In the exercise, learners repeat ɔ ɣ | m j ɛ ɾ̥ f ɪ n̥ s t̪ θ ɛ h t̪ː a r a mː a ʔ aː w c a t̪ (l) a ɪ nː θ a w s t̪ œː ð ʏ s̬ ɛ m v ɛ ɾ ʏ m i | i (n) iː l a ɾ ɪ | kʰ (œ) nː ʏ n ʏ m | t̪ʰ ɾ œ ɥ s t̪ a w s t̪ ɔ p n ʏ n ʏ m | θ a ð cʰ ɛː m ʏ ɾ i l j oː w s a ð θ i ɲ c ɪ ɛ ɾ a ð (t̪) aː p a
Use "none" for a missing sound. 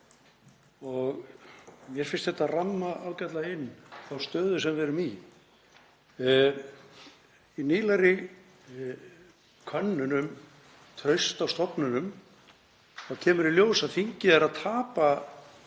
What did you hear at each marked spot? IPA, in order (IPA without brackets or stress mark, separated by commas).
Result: l, n, œ, t̪ʰ